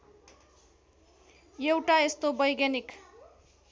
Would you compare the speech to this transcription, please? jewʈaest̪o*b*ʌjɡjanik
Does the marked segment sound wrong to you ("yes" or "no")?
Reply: no